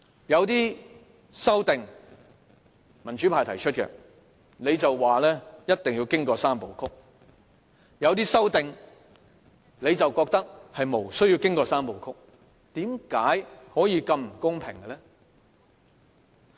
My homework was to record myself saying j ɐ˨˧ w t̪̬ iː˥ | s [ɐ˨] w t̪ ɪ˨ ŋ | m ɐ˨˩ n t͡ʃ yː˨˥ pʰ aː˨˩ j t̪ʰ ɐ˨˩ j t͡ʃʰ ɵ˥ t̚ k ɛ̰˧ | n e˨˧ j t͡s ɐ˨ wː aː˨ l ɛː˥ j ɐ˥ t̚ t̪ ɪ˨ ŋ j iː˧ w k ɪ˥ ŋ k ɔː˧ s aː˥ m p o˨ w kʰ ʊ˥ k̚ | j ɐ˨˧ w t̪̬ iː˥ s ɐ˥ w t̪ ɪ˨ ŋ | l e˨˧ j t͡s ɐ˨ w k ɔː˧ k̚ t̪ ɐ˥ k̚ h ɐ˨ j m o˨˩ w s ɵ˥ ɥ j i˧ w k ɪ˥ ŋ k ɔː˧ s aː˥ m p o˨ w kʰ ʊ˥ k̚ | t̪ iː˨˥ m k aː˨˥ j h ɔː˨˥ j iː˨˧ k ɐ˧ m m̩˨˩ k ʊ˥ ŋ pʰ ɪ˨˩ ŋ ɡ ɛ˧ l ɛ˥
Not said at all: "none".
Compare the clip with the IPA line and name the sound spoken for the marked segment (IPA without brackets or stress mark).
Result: ɐ˥